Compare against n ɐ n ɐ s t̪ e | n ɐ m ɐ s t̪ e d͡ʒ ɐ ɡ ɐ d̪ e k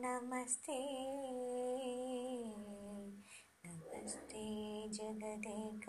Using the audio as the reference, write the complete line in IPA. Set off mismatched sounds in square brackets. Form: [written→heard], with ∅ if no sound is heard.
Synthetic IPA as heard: n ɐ [n→m] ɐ s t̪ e | n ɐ m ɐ s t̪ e d͡ʒ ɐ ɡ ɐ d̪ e k